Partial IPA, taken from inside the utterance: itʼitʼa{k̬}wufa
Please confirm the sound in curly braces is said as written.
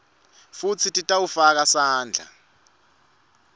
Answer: no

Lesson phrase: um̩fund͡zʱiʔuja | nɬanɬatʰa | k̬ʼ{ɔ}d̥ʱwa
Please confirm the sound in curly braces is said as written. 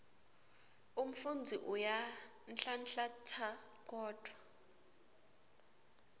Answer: no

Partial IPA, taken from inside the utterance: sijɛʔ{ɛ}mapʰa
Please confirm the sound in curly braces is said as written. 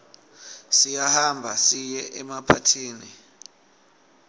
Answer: yes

